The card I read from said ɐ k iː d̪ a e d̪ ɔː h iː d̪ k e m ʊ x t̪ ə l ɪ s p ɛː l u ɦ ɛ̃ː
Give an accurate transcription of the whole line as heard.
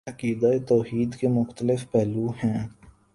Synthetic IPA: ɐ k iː d̪ a e t̪ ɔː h iː d̪ k e m ʊ x t̪ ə l ɪ f p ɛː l u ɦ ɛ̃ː